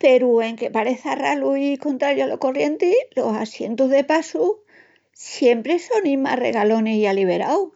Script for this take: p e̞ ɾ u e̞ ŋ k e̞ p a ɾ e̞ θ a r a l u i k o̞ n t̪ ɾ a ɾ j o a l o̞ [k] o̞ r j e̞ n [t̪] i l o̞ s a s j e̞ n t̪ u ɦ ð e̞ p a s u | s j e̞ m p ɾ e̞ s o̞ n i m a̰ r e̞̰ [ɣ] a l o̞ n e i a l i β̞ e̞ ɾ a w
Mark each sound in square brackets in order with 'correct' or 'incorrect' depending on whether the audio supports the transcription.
correct, correct, correct

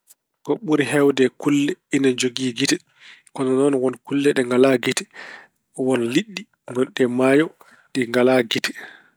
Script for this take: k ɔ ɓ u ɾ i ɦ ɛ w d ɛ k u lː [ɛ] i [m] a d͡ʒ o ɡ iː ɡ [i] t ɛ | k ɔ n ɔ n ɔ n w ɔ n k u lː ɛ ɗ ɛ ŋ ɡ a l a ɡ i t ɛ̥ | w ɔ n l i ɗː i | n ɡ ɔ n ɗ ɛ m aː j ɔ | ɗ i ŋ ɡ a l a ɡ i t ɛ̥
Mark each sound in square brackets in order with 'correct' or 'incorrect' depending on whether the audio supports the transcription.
correct, incorrect, correct

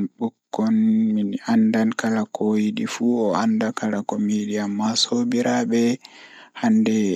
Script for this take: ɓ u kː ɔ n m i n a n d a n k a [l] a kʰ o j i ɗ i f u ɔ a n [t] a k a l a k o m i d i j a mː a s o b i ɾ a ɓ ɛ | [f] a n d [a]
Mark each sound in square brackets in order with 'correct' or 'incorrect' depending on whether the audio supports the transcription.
correct, incorrect, incorrect, incorrect

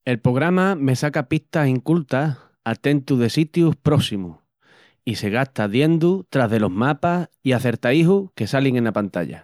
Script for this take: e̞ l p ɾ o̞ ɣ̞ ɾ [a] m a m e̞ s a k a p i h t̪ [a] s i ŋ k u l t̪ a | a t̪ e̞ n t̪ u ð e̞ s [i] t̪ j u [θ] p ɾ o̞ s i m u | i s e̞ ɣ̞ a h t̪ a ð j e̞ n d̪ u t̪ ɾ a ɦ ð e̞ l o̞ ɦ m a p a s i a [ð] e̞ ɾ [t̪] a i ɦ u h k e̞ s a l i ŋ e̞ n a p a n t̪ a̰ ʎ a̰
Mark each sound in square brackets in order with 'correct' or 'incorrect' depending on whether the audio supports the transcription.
correct, correct, correct, incorrect, incorrect, correct

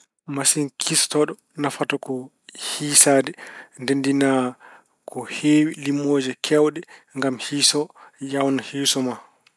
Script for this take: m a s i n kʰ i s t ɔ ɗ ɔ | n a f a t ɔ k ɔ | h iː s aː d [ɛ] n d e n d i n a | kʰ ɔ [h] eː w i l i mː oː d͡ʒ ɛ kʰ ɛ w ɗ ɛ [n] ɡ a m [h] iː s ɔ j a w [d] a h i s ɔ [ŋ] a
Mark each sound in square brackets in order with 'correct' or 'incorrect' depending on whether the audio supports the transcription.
correct, correct, incorrect, correct, incorrect, incorrect

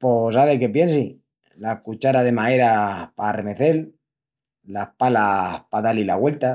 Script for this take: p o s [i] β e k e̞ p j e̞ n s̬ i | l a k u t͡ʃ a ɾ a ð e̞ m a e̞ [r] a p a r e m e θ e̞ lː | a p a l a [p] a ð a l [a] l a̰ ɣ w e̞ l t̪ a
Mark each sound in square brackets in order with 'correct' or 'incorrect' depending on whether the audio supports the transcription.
incorrect, incorrect, correct, incorrect

